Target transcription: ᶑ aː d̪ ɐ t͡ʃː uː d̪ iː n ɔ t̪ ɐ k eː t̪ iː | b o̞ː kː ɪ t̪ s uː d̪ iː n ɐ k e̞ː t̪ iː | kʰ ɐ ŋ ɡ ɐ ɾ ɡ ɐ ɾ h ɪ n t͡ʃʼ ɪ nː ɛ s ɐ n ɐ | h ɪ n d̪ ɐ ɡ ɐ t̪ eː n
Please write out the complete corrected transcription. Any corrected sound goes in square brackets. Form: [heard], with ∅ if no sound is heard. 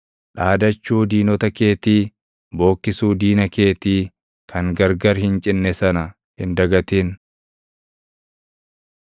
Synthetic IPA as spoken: ᶑ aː d̪ ɐ t͡ʃː uː d̪ iː n ɔ t̪ ɐ k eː t̪ iː | b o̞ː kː ɪ [∅] s uː d̪ iː n ɐ k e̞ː t̪ iː | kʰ ɐ ŋ ɡ ɐ ɾ ɡ ɐ ɾ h ɪ n t͡ʃʼ ɪ nː ɛ s ɐ n ɐ | h ɪ n d̪ ɐ ɡ ɐ t̪ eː n